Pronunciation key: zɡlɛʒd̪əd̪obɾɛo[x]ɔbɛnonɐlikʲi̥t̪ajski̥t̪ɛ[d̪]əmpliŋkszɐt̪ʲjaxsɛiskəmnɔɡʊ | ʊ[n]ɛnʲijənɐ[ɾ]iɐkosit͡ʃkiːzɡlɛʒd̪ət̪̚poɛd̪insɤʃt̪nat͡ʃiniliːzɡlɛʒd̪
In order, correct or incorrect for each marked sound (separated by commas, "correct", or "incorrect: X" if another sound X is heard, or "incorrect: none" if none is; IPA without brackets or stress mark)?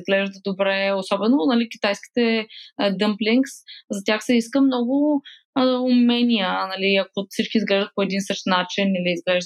incorrect: s, correct, incorrect: m, incorrect: l